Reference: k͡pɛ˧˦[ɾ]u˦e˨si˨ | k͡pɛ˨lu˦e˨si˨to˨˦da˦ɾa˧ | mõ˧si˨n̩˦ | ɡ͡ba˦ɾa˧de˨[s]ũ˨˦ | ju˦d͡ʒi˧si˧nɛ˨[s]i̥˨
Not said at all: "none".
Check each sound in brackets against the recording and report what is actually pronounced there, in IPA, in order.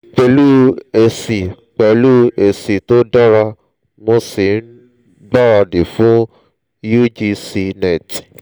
l, f, t

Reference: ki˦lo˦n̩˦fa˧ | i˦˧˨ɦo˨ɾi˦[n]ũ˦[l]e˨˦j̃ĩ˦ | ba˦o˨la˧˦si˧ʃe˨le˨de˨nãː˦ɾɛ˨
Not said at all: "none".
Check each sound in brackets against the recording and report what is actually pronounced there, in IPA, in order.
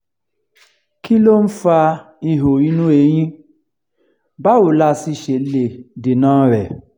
n, none

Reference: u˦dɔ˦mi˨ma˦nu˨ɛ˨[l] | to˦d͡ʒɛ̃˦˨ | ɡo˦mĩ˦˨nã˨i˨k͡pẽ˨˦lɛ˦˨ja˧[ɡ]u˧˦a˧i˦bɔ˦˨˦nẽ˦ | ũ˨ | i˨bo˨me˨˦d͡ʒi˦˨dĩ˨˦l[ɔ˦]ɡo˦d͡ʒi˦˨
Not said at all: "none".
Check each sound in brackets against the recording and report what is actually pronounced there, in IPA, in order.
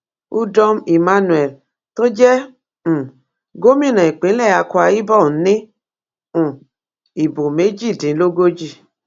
l, k, o˦

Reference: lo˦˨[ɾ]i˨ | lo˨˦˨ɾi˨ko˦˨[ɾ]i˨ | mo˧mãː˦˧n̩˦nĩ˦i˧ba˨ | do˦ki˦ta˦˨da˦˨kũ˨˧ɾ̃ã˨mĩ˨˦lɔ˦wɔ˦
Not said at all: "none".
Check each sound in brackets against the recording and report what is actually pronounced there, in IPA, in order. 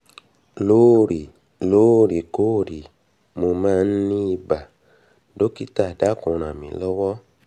ɾ, ɾ

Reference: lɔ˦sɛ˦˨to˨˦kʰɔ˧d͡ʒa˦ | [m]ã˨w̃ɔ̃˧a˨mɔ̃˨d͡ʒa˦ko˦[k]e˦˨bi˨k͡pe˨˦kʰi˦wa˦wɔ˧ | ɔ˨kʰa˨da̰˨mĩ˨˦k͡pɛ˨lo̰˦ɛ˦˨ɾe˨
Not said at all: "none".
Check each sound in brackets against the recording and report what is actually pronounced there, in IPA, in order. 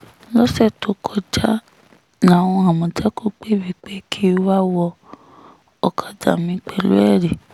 n, k͡p

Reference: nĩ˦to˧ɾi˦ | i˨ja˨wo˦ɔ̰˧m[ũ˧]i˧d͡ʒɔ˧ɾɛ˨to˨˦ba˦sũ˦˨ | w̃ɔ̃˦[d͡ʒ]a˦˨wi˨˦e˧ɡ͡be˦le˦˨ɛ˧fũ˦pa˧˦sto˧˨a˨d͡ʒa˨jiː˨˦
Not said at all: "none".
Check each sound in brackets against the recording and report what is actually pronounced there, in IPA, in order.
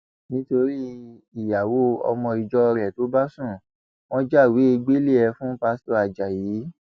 ɔ̃˧, d͡ʒ

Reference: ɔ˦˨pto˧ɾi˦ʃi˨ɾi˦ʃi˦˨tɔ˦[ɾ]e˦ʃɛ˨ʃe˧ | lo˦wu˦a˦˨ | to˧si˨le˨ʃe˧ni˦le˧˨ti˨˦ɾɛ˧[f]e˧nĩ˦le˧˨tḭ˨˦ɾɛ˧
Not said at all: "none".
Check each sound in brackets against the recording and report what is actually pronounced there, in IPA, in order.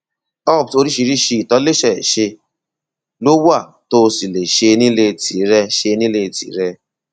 l, ʃ

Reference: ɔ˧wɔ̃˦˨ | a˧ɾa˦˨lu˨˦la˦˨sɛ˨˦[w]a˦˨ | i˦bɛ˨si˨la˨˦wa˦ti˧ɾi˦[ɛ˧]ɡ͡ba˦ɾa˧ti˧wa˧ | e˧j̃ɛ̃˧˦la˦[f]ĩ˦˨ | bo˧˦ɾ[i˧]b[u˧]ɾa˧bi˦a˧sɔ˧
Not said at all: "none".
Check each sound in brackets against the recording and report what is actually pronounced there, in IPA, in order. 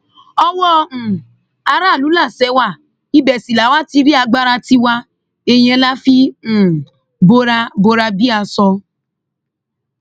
w, a˧, f, a˧, o˧

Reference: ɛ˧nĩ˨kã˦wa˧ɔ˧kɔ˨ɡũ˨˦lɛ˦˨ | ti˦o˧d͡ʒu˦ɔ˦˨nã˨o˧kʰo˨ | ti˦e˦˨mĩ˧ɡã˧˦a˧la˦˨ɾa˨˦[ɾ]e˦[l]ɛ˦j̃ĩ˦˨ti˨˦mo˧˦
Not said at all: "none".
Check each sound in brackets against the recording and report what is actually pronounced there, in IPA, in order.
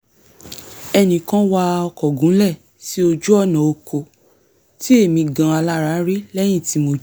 ɾ, l

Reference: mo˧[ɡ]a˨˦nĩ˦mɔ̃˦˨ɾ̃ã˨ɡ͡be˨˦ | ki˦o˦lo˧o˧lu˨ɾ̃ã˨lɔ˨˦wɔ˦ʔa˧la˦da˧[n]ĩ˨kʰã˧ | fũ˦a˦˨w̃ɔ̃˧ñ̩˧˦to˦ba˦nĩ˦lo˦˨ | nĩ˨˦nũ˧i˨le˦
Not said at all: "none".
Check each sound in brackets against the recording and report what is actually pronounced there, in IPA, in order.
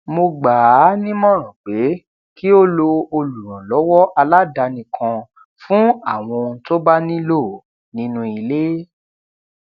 ɡ͡b, n

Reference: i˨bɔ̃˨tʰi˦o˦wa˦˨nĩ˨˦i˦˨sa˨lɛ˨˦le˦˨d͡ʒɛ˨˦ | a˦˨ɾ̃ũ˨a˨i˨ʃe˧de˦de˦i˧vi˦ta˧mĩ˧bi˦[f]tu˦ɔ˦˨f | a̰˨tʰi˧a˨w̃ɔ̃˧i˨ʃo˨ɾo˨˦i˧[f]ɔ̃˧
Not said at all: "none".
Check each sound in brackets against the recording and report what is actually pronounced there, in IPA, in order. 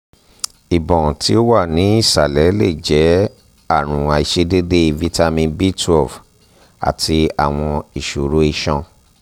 none, ʃ

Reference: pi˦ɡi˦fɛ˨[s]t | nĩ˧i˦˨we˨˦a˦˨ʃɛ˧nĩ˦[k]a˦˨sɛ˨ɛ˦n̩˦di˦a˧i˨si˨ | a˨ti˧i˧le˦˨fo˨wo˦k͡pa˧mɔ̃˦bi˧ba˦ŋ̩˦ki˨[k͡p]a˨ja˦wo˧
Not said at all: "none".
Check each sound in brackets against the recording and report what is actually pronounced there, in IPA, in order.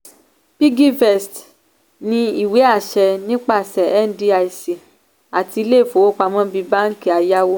s, k͡p, none

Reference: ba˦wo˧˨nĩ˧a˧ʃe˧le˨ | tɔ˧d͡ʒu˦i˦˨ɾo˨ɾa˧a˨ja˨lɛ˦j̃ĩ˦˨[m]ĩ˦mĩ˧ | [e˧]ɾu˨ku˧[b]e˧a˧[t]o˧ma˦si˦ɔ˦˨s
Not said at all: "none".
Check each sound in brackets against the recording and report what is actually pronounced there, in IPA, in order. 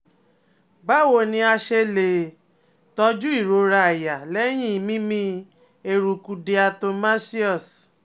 m, e˧, d, t

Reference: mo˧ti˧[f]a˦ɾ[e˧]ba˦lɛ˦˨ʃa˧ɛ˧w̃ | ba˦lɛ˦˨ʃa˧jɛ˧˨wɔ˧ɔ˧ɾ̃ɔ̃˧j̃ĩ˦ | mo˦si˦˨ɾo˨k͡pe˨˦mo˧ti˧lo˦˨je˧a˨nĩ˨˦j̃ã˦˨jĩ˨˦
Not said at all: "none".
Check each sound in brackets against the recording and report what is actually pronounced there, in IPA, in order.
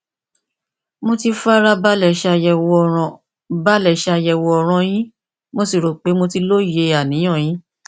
f, a˧

